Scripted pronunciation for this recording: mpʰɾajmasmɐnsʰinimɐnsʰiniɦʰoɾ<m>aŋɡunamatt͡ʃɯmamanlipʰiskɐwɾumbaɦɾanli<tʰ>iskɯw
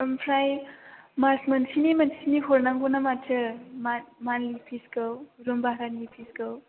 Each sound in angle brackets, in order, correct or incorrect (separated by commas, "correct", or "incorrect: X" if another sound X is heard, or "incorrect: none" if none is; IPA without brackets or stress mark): incorrect: n, incorrect: pʰ